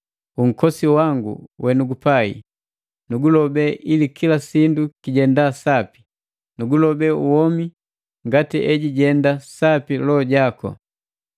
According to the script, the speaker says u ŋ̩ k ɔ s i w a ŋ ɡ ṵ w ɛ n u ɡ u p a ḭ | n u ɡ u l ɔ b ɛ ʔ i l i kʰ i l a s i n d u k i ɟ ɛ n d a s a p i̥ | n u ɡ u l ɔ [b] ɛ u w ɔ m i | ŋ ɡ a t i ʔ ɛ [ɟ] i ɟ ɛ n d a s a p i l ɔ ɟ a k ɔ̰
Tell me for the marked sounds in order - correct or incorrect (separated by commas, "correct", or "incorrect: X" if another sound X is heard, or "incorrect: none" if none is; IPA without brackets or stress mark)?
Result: correct, correct